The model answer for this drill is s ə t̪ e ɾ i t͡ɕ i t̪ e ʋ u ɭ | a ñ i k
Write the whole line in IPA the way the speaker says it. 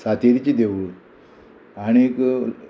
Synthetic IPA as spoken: s a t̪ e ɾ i t͡ɕ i d̪ e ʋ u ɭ | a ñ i k